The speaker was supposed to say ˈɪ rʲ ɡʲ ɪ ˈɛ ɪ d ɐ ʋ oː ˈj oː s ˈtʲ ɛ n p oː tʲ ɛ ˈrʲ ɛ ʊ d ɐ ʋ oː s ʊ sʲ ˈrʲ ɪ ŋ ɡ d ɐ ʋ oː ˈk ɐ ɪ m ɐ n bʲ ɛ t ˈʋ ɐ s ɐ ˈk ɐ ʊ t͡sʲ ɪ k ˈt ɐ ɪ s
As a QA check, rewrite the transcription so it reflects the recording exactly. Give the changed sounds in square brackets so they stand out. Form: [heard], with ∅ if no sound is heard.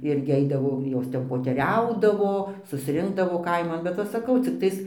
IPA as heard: ˈɪ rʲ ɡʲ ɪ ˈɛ ɪ d ɐ ʋ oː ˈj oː s ˈtʲ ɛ n p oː tʲ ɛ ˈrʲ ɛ ʊ d ɐ ʋ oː s ʊ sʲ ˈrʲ ɪ ŋ ɡ d ɐ ʋ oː ˈk ɐ ɪ m ɐ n bʲ ɛ t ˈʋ ɐ s ɐ ˈk ɐ ʊ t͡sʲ ɪ k ˈt ɐ ɪ s